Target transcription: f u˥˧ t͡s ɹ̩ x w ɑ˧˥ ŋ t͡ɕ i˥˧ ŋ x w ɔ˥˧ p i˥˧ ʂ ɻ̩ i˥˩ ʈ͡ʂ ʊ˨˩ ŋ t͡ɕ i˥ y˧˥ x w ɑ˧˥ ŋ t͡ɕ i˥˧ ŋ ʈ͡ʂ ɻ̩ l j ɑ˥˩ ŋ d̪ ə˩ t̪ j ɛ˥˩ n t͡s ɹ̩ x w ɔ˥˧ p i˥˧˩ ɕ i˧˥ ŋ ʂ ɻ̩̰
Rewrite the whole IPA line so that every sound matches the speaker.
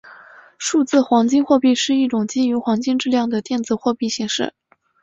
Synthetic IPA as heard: ʂ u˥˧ t͡s ɹ̩ x w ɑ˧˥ ŋ t͡ɕ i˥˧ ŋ x w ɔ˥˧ p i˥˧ ʂ ɻ̩ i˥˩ ʈ͡ʂ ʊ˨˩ ŋ t͡ɕ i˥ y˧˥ x w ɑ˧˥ ŋ t͡ɕ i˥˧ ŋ ʈ͡ʂ ɻ̩ l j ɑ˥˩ ŋ d̪ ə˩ t̪ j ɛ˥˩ n t͡s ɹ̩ x w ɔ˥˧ p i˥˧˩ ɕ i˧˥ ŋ ʂ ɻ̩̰